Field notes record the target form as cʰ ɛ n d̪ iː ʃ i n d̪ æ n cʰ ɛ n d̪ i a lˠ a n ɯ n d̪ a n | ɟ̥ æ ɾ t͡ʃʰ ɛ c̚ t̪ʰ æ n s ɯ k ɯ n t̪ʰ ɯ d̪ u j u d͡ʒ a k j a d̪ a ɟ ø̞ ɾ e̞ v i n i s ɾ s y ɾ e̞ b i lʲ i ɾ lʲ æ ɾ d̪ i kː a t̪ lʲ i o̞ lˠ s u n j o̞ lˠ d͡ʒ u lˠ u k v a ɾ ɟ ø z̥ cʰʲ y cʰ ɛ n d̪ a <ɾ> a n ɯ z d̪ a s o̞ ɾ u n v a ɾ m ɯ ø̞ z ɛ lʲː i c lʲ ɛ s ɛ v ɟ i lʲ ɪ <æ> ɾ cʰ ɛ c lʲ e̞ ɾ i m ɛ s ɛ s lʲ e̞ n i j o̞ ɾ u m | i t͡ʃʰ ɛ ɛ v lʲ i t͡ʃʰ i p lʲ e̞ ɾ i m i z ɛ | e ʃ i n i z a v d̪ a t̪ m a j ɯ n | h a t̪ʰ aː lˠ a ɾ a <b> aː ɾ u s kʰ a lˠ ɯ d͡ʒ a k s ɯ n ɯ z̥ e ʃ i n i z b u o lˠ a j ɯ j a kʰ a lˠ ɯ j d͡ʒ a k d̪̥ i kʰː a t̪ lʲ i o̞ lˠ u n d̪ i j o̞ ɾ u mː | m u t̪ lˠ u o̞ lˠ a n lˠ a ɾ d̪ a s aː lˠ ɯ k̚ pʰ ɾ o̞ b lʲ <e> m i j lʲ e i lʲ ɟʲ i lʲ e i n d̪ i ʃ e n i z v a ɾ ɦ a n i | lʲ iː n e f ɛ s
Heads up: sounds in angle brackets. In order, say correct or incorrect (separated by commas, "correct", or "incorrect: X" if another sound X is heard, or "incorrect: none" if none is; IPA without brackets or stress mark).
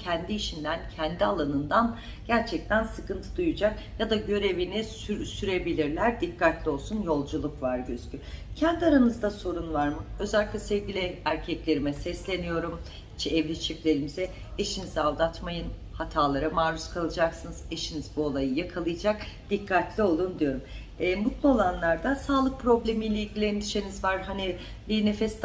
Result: correct, correct, incorrect: m, correct